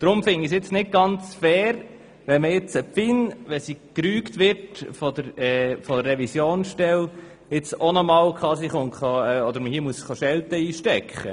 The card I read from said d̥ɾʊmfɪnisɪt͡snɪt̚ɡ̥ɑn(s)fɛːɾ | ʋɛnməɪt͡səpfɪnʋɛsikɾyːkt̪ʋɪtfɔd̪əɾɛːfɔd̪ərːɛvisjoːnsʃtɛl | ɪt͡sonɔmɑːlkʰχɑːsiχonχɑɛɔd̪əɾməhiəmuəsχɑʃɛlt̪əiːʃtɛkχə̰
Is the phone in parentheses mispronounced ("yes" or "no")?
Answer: yes